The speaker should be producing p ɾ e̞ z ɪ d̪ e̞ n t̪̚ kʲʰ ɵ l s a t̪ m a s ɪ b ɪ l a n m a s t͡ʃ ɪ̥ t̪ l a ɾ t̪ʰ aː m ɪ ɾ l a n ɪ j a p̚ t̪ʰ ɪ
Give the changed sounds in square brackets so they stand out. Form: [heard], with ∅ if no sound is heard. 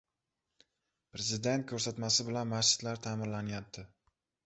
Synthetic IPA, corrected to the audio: p ɾ e̞ z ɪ d̪ e̞ n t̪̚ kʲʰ ɵ [ɾ] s a t̪ m a s ɪ b ɪ l a n m a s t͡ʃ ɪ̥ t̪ l a ɾ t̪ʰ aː m ɪ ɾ l a n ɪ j a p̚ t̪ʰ ɪ